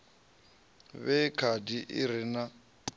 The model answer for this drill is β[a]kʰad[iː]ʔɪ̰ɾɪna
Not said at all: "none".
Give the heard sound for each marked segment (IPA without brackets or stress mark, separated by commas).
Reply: ɛ, i